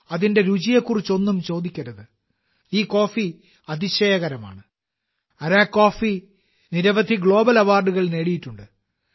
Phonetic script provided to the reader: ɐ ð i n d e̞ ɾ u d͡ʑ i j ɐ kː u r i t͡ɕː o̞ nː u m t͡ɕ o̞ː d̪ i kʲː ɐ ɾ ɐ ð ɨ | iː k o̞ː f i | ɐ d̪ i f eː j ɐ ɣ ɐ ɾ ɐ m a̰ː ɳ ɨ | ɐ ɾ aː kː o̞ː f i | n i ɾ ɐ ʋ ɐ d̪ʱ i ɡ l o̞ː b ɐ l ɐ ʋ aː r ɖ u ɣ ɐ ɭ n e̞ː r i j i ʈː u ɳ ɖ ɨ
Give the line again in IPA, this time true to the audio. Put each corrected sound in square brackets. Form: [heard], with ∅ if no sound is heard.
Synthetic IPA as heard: ɐ ð i n d e̞ ɾ u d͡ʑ i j ɐ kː u r i t͡ɕː o̞ nː u m t͡ɕ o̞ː d̪ i kʲː ɐ ɾ ɐ ð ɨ | iː k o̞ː f i | ɐ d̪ i [ɕ] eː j ɐ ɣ ɐ ɾ ɐ m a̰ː ɳ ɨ | ɐ ɾ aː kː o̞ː f i | n i ɾ ɐ ʋ ɐ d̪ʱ i ɡ [ɭ] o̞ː b ɐ l ɐ ʋ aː r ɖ u ɣ ɐ ɭ n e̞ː [ɽ] i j i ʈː u ɳ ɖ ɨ

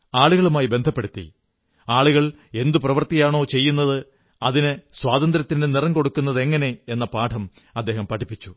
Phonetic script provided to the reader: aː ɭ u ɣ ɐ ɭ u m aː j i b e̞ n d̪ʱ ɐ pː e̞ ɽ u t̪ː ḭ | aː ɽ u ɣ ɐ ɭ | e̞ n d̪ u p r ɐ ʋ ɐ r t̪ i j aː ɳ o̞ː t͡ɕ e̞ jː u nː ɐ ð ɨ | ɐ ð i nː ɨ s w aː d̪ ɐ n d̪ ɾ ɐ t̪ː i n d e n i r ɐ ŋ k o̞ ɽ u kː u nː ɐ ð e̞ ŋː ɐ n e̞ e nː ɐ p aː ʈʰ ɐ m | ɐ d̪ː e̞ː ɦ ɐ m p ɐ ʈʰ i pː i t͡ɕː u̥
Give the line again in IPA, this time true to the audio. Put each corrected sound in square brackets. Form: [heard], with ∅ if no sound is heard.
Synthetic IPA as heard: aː ɭ u ɣ ɐ ɭ u m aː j i b e̞ n d̪ʱ ɐ pː e̞ ɽ u t̪ː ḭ | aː [ɭ] u ɣ ɐ ɭ | e̞ n d̪ u p r ɐ ʋ ɐ r t̪ i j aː ɳ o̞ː t͡ɕ e̞ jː u nː ɐ ð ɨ | ɐ ð i [n] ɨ s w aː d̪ ɐ n d̪ ɾ ɐ t̪ː i n d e n i r ɐ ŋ k o̞ ɽ u kː u nː ɐ ð e̞ ŋː ɐ n e̞ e nː ɐ p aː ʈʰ ɐ m | ɐ d̪ː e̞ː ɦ ɐ m p ɐ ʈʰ i pː i t͡ɕː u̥

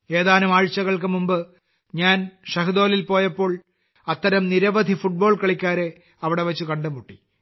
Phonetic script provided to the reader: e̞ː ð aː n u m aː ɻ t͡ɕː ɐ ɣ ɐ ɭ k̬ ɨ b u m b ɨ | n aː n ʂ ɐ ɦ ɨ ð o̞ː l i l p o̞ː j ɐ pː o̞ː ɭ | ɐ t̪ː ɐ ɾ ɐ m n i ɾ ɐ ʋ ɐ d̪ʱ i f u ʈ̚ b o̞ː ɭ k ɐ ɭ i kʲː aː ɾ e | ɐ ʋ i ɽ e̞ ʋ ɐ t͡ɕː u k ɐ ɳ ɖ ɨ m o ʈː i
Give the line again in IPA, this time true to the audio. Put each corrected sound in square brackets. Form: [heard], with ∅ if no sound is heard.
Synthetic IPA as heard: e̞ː ð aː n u m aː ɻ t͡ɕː ɐ ɣ ɐ ɭ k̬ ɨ [m] u m b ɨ | [ɲ] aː n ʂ ɐ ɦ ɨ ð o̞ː l i l p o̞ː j ɐ pː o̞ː ɭ | ɐ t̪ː ɐ ɾ ɐ m n i ɾ ɐ ʋ ɐ d̪ʱ i f u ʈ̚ b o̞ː ɭ k ɐ ɭ i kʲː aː ɾ e | ɐ ʋ i ɽ e̞ ʋ ɐ t͡ɕː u k ɐ ɳ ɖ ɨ m [u] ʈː i

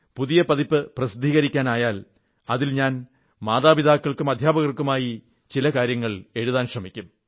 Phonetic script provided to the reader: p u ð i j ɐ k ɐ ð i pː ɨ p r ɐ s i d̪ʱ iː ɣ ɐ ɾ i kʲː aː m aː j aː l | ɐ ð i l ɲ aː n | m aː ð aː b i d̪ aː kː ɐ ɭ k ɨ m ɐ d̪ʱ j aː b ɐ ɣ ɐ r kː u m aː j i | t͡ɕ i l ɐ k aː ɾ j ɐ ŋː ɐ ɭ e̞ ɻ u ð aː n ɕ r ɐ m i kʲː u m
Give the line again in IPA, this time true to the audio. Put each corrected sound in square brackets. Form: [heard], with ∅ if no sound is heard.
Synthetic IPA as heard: p u ð i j ɐ [p] ɐ ð i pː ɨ p r ɐ s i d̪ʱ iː ɣ ɐ ɾ i kʲː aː [n] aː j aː l | ɐ ð i l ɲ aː n | m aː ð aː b i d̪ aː kː ɐ ɭ k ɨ m ɐ d̪ʱ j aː b ɐ ɣ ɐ r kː u m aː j i | t͡ɕ i l ɐ k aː ɾ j ɐ ŋː ɐ ɭ e̞ ɻ u ð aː n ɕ r ɐ m i kʲː u m

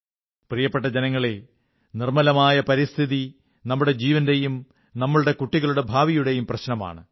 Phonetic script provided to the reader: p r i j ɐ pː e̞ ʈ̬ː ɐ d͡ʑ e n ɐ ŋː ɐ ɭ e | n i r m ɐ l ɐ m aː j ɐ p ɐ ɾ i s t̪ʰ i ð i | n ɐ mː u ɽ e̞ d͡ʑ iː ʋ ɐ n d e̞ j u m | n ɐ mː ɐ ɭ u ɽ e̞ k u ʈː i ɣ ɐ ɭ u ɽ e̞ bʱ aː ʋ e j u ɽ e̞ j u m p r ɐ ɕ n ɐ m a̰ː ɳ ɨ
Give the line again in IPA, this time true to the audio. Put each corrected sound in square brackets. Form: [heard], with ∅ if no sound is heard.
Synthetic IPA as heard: p r i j ɐ pː e̞ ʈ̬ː ɐ d͡ʑ e n ɐ ŋː ɐ ɭ e | n i r m ɐ l ɐ m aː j ɐ p ɐ ɾ i s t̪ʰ i ð i | n ɐ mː u ɽ e̞ d͡ʑ iː ʋ ɐ n d e̞ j u m | n ɐ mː ɐ ɭ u ɽ e̞ k u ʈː i ɣ ɐ ɭ u ɽ e̞ bʱ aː ʋ [i] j u ɽ e̞ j u m p r ɐ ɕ n ɐ m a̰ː ɳ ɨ

